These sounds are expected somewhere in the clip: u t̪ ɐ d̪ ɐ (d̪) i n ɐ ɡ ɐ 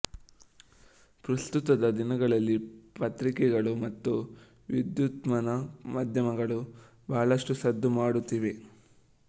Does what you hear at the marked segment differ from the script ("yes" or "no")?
no